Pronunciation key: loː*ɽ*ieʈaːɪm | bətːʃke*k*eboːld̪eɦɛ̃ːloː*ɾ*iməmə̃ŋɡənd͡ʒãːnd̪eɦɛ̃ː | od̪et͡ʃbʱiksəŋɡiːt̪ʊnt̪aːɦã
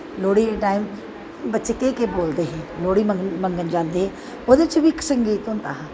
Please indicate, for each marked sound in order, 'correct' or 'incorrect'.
correct, correct, incorrect: ɽ

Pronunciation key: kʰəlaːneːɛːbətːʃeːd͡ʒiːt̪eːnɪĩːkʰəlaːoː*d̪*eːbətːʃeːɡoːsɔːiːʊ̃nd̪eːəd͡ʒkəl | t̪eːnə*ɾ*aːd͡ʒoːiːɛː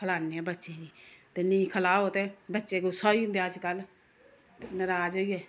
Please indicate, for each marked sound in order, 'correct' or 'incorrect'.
incorrect: t̪, correct

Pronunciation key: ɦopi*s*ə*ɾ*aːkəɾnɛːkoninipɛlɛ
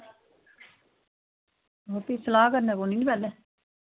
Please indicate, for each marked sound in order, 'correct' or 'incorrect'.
correct, incorrect: l

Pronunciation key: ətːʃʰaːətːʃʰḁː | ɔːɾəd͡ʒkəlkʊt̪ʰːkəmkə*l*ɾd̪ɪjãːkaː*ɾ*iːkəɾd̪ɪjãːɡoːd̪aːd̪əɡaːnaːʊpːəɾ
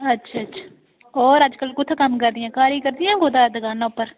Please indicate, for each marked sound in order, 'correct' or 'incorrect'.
incorrect: none, correct

